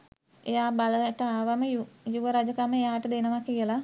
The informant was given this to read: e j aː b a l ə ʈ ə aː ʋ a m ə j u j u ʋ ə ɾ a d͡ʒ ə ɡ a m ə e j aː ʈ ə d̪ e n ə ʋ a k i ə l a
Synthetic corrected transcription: e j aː b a l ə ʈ ə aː ʋ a m ə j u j u ʋ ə ɾ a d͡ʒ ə k a m ə e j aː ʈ ə d̪ e n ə ʋ a k i ə l a